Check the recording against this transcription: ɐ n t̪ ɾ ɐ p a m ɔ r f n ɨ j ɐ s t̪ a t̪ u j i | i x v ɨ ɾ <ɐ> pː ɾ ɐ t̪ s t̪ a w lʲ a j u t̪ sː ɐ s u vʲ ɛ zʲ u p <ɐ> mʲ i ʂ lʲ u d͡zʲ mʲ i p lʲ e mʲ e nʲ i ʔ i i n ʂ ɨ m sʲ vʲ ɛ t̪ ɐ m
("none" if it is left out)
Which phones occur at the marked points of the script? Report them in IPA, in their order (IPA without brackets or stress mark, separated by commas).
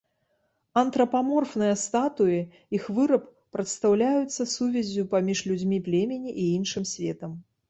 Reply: ɐ, a